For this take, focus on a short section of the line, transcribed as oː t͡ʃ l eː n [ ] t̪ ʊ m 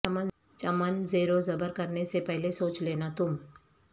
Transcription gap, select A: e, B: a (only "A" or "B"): B